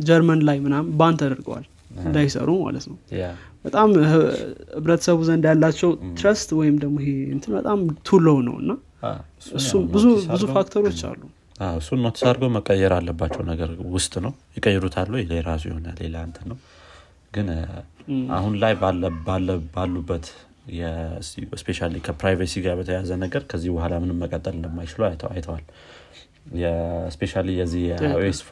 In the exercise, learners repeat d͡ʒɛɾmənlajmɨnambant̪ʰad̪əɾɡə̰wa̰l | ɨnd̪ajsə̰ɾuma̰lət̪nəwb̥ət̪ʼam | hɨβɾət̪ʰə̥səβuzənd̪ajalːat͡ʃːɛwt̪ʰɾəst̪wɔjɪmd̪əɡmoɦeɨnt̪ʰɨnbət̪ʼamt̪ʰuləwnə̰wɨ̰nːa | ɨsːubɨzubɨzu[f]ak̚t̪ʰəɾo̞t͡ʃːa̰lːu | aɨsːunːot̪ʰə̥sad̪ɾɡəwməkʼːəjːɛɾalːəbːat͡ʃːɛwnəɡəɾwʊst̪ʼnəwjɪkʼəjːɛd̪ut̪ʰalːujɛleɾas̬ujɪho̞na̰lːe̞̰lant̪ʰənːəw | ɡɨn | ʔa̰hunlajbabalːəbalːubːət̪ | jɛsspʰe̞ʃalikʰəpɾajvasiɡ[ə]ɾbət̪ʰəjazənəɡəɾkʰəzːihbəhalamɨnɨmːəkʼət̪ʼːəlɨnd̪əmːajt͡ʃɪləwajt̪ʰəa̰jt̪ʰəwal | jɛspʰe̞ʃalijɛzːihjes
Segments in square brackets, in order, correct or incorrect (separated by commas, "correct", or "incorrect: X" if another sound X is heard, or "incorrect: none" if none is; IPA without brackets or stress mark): correct, incorrect: a